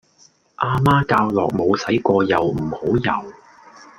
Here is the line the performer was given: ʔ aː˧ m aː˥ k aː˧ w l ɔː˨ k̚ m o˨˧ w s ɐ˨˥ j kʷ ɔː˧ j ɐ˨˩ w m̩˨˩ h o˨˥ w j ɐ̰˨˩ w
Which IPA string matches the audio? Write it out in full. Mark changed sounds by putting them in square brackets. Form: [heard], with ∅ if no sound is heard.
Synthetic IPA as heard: ʔ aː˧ m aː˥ k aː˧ w l ɔː˨ k̚ m o˨˧ w s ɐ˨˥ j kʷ ɔː˧ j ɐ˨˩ w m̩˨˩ h o˨˥ w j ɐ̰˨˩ w